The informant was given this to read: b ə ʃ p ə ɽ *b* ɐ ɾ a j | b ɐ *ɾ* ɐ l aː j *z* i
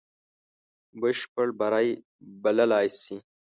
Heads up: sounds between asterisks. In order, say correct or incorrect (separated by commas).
correct, incorrect, incorrect